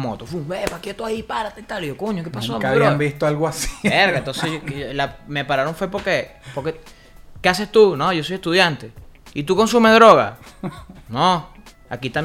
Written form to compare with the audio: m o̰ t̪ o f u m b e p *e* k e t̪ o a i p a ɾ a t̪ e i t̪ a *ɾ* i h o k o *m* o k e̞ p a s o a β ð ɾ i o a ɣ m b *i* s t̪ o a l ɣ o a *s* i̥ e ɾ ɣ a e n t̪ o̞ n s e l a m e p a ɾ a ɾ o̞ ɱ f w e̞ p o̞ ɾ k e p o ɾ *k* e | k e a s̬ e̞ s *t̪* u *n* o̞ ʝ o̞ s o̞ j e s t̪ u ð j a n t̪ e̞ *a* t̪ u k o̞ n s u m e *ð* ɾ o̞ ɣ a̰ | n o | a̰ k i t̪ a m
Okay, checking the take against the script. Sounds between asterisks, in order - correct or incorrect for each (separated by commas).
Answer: incorrect, incorrect, incorrect, correct, correct, correct, correct, correct, incorrect, correct